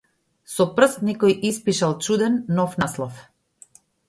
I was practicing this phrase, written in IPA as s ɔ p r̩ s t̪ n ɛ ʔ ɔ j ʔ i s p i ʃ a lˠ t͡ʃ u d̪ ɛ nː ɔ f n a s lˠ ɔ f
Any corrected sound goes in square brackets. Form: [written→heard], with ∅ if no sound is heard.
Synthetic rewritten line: s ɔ p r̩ s t̪ n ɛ [ʔ→k] ɔ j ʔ i s p i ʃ a lˠ t͡ʃ u d̪ ɛ nː ɔ f n a s lˠ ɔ f